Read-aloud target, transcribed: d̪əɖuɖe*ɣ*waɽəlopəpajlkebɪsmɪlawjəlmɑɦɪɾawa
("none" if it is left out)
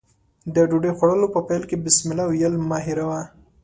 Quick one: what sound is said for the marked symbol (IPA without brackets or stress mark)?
x